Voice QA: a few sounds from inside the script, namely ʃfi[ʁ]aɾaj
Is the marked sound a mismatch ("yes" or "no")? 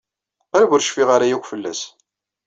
no